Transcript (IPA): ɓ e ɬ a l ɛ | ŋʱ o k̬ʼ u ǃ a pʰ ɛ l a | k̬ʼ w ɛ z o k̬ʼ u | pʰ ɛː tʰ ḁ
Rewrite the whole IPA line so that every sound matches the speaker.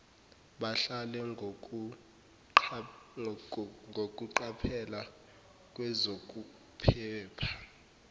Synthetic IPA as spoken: ɓ a ɬ a l ɛ | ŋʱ o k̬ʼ u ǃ a pʰ ɛ l a | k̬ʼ w ɛ z o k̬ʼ u | pʰ ɛː pʰ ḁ